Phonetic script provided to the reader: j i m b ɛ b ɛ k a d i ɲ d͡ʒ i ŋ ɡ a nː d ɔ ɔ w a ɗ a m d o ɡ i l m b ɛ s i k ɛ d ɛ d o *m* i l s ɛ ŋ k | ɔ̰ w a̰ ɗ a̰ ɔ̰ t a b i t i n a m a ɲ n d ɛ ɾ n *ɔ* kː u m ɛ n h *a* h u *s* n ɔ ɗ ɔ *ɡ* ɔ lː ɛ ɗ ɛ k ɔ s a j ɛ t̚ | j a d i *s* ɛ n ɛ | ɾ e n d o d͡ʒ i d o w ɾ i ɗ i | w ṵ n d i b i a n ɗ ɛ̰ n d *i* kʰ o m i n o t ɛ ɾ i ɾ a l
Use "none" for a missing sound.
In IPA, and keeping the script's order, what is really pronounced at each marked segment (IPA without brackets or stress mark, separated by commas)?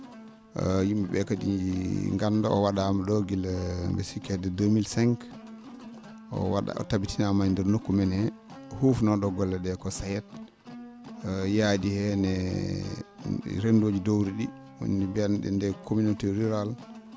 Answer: m, o, ɛ, f, ɡ, h, ɛ